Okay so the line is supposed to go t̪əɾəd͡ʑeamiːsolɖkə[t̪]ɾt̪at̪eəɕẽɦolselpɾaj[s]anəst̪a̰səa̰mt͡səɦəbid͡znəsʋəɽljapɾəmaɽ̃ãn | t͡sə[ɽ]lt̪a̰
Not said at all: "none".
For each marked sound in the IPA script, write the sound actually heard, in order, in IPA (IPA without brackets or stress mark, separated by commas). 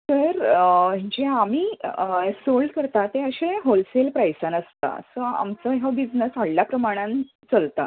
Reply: none, s, none